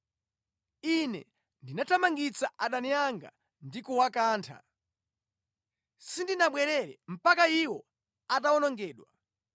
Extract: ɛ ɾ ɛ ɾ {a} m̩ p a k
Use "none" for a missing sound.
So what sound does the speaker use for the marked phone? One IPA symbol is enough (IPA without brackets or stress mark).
ɛ